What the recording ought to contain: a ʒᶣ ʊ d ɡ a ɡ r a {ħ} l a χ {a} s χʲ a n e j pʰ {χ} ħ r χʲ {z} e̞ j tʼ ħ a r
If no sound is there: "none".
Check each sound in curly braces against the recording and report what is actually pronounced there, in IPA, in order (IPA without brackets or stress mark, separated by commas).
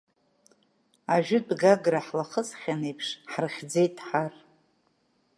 ħ, ə, ʂ, d͡z